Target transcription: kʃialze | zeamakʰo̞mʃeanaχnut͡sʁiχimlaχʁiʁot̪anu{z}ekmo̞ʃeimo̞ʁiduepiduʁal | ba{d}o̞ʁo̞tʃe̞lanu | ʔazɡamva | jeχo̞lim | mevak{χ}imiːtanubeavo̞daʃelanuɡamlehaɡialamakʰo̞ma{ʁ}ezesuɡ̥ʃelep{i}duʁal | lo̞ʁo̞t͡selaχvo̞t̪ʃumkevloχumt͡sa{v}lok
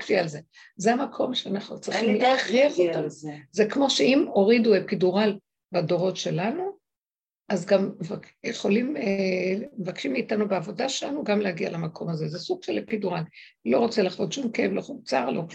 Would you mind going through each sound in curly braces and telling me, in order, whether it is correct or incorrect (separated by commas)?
correct, correct, incorrect, incorrect, correct, incorrect